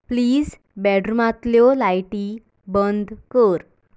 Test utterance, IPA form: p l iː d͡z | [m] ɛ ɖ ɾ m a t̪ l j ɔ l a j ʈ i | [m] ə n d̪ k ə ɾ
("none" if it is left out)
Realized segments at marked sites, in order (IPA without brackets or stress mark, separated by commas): b, b